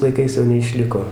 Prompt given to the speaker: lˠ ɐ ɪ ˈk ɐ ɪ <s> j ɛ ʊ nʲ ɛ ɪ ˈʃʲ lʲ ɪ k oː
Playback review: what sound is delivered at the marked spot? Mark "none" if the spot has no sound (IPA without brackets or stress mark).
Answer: s